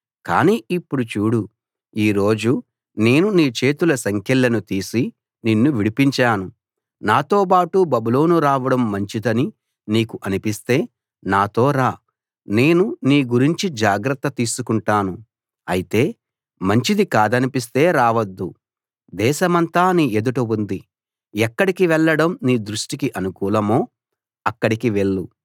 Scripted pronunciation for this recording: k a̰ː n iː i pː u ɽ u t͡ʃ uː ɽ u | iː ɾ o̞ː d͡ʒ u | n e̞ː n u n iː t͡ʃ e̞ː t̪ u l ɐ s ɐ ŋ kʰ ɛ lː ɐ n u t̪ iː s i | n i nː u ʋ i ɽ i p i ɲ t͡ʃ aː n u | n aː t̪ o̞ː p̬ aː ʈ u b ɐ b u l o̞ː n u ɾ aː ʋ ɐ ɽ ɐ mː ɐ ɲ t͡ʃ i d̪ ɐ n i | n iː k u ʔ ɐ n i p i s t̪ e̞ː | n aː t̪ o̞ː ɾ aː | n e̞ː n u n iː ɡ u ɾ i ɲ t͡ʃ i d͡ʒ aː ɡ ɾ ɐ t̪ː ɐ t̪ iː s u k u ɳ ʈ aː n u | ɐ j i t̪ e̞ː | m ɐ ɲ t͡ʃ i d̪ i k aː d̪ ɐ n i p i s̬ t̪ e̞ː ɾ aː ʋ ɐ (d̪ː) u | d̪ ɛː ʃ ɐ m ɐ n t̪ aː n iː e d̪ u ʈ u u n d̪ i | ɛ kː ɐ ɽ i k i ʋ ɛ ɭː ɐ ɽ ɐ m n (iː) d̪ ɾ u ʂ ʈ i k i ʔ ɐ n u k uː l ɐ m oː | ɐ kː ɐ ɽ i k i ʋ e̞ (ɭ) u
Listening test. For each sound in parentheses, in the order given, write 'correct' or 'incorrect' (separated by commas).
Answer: correct, correct, incorrect